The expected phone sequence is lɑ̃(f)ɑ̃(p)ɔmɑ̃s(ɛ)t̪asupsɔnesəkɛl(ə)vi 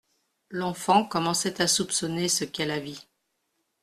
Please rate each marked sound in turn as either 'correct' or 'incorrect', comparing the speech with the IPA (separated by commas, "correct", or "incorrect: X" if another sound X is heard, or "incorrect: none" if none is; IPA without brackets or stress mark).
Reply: correct, incorrect: k, correct, incorrect: a